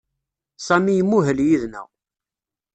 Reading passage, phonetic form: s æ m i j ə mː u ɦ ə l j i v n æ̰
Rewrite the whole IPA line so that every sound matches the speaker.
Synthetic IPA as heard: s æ m i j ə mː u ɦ ə l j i ð n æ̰